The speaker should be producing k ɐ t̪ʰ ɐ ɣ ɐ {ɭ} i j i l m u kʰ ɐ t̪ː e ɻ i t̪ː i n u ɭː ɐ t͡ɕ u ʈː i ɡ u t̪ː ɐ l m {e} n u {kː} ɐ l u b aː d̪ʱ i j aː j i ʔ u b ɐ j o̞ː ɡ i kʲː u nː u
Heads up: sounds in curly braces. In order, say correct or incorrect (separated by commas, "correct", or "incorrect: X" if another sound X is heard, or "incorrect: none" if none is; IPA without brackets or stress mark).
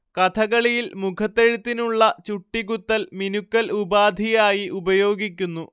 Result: correct, incorrect: i, correct